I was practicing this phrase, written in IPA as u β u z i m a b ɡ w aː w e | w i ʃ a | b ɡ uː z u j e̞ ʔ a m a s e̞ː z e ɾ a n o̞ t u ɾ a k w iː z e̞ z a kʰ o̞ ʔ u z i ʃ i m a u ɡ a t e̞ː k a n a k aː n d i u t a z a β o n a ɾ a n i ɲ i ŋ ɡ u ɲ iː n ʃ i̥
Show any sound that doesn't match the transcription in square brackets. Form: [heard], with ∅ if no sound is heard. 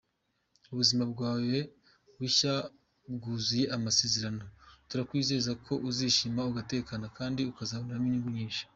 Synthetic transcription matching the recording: u β u z i m a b ɡ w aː w e | w i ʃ a | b ɡ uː z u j e̞ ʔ a m a s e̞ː z e ɾ a n o̞ t u ɾ a k w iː z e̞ z a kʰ o̞ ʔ u z i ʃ i m a u ɡ a t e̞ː k a n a k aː n d i u [k] a z a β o n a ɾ a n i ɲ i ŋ ɡ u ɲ iː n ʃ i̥